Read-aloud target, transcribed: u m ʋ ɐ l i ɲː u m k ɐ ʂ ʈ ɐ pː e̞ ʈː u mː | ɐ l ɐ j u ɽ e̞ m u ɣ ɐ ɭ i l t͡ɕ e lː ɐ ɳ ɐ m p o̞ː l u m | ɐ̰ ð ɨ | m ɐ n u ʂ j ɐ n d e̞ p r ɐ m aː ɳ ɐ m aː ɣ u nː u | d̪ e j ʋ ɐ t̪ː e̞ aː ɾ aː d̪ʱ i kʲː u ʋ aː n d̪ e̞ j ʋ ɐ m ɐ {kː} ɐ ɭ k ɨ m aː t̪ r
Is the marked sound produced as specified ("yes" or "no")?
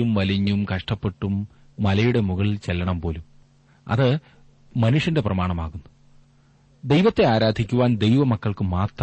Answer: yes